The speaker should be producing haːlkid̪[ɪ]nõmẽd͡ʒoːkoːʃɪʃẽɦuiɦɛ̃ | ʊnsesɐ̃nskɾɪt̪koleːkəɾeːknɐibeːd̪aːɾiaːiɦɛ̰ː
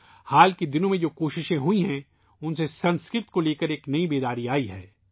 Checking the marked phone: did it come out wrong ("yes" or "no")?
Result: no